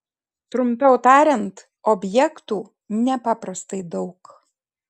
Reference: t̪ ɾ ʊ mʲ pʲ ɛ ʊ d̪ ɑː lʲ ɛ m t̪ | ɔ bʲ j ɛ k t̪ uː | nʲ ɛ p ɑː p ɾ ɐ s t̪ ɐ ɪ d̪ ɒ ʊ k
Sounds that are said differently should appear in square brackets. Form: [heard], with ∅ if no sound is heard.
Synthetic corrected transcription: t̪ ɾ ʊ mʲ pʲ ɛ ʊ [t̪] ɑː [ɾʲ] ɛ [n] t̪ | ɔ bʲ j ɛ k t̪ uː | nʲ ɛ p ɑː p ɾ ɐ s t̪ ɐ ɪ d̪ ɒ ʊ k